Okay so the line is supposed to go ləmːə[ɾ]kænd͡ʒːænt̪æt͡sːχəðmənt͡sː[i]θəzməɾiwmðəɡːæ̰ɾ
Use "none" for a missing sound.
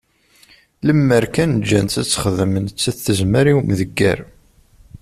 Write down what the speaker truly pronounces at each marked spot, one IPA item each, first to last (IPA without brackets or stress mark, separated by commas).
ɾ, æ